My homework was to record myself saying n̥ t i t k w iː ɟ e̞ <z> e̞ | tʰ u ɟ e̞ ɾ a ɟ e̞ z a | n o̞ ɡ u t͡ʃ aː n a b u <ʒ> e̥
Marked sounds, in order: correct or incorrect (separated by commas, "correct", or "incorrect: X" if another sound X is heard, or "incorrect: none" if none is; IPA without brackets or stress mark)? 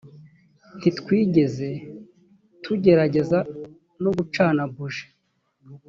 correct, correct